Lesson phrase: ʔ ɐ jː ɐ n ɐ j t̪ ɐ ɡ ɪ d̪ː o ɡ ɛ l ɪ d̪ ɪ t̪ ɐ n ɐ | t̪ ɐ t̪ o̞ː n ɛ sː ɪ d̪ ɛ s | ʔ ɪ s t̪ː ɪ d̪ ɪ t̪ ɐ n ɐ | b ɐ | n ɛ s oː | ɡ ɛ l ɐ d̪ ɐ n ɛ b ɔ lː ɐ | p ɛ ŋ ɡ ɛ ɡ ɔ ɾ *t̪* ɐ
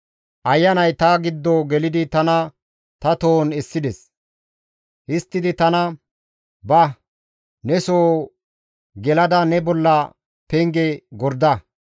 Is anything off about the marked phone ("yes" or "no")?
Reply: yes